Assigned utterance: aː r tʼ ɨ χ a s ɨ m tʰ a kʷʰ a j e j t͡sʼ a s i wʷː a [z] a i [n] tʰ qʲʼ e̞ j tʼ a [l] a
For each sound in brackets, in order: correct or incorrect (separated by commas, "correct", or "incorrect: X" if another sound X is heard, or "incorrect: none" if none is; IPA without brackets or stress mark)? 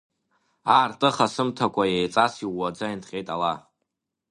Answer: incorrect: d͡z, correct, correct